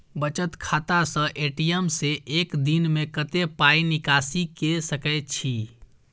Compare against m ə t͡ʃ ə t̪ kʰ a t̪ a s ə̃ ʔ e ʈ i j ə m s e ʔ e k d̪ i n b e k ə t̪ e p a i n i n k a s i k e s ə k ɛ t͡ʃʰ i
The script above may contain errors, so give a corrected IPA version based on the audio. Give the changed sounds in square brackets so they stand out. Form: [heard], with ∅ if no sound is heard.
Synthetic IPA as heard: [b] ə t͡ʃ ə t̪ kʰ a t̪ a s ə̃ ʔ e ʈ i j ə m s e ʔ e k d̪ i n [m] e k ə t̪ e p a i n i [∅] k a s i k e s ə k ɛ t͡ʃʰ i